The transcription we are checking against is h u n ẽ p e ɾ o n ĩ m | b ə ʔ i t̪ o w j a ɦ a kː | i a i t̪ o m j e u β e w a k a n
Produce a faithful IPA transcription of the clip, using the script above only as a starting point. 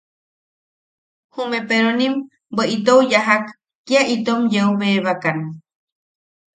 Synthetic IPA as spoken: h u m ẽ p e ɾ o n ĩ m | b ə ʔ i t̪ o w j a ɦ a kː | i a i t̪ o m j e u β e β a k a n